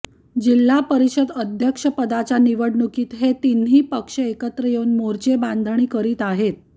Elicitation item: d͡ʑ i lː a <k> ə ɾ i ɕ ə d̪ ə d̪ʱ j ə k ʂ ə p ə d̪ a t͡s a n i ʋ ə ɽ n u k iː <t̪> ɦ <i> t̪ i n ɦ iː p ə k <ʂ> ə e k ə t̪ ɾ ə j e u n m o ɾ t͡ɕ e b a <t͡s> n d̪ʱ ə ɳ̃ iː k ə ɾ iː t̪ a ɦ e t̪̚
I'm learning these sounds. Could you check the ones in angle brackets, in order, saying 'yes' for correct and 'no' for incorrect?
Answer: no, yes, no, yes, no

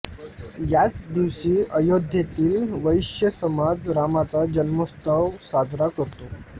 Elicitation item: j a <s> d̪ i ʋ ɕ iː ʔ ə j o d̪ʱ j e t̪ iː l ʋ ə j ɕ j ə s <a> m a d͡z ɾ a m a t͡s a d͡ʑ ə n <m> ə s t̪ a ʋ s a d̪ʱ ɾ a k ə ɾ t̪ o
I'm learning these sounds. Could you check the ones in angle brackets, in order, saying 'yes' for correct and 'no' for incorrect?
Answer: no, no, yes

